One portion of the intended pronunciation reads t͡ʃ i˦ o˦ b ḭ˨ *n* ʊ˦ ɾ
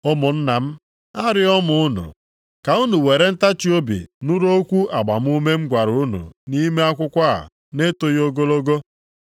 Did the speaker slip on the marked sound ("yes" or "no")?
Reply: no